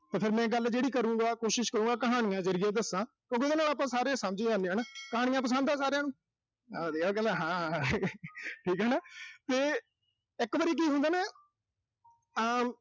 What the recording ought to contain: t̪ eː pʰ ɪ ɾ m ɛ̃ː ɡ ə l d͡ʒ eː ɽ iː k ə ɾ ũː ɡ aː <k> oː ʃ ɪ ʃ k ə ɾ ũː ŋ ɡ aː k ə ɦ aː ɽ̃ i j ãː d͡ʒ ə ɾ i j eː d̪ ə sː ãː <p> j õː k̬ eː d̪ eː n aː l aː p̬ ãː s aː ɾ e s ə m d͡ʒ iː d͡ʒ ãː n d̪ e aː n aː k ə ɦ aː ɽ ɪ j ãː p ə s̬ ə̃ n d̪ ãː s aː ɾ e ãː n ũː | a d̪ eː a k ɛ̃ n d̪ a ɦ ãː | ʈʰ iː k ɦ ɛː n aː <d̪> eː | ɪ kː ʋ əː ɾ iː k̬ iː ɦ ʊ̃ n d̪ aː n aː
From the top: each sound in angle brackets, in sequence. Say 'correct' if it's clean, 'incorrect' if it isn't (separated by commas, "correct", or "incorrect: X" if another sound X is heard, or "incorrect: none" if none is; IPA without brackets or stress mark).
correct, incorrect: k, incorrect: t̪